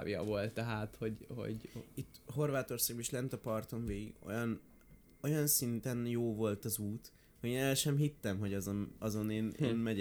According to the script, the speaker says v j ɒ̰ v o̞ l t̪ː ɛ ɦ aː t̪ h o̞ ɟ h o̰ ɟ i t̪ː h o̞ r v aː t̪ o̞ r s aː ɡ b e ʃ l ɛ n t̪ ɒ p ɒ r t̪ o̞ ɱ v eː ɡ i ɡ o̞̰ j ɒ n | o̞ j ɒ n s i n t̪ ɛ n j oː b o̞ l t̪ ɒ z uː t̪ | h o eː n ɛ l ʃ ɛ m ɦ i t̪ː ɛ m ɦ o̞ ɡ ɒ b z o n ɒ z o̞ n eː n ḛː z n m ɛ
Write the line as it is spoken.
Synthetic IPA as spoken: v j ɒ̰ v o̞ l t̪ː ɛ ɦ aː t̪ h o̞ ɟ h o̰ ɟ i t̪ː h o̞ r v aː t̪ o̞ r s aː ɡ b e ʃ l ɛ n t̪ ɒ p ɒ r t̪ o̞ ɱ v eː ɡ i ɡ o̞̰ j ɒ n | o̞ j ɒ n s i n t̪ ɛ n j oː v o̞ l t̪ ɒ z uː t̪ | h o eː n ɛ l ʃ ɛ m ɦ i t̪ː ɛ m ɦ o̞ ɟ ɒ z o n ɒ z o̞ n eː n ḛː n m ɛ